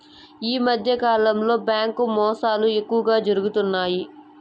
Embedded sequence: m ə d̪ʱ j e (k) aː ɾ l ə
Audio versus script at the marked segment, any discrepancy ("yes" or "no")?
no